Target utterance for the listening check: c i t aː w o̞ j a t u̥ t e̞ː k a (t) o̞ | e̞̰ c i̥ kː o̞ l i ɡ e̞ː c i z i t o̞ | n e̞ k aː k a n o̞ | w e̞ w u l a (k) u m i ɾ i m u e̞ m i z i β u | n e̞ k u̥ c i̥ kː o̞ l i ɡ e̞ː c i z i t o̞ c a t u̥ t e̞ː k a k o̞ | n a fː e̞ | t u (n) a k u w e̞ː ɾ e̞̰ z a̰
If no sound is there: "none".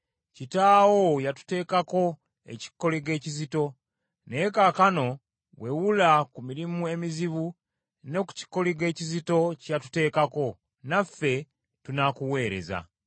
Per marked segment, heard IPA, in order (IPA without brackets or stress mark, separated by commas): k, k, n